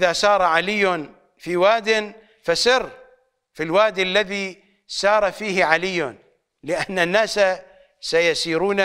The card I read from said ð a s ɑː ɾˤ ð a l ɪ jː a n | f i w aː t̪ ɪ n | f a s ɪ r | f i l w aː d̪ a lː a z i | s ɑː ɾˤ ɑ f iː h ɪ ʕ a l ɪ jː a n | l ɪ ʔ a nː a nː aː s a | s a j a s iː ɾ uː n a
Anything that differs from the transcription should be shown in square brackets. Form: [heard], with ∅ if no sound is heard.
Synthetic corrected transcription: ð a s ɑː ɾˤ [ʕ] a l ɪ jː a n | f i w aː [d̪] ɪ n | f a s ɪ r | f i l w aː d̪ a lː a [ð] i | s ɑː ɾˤ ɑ f iː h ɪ ʕ a l ɪ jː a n | l ɪ ʔ a nː a nː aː s a | s a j a s iː ɾ uː n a